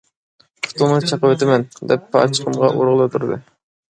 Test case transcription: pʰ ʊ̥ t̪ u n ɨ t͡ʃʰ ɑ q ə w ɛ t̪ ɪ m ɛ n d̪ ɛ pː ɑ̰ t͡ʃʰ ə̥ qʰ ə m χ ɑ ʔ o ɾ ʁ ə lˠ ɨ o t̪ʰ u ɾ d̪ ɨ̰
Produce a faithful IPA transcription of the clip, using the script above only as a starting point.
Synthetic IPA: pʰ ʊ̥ t̪ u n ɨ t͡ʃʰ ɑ q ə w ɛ t̪ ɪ m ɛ n d̪ ɛ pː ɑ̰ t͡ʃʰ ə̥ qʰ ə m ʁ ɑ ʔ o ɾ ʁ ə lˠ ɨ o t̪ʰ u ɾ d̪ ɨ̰